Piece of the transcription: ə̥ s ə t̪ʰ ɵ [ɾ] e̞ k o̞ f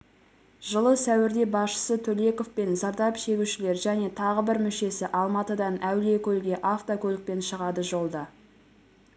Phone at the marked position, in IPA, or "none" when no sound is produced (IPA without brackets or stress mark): l